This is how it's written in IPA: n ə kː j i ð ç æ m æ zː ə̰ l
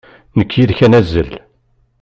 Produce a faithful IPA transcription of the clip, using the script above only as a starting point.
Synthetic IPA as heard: n ə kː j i ð ç æ n æ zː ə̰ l